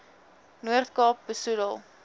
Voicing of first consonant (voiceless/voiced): voiced